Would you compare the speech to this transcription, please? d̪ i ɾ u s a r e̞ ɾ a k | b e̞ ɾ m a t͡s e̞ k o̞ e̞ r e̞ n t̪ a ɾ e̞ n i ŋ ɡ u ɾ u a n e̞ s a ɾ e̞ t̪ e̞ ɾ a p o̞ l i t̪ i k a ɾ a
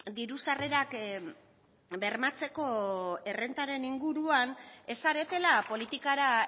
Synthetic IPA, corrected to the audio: d̪ i ɾ u s a r e̞ ɾ a k | b e̞ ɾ m a t͡s e̞ k o̞ e̞ r e̞ n t̪ a ɾ e̞ n i ŋ ɡ u ɾ u a n e̞ s a ɾ e̞ t̪ e̞ l a p o̞ l i t̪ i k a ɾ a